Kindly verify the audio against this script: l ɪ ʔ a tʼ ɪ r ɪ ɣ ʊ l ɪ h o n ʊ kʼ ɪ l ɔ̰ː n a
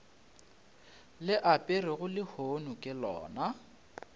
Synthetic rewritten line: l ɪ ʔ a pʼ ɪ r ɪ ɣ ʊ l ɪ h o n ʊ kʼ ɪ l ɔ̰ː n a